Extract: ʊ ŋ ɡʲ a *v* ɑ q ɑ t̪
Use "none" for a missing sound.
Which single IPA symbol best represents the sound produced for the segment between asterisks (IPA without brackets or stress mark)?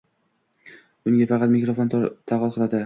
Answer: f